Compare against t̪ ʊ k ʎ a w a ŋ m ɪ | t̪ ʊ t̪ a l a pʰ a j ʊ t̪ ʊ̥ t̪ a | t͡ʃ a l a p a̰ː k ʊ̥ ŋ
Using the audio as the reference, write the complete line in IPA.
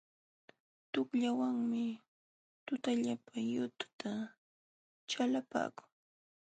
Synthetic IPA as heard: t̪ ʊ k ʎ a w a ŋ m ɪ | t̪ ʊ t̪ a ʎ a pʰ a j ʊ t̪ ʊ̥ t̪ a | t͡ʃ a l a p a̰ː k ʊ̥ ŋ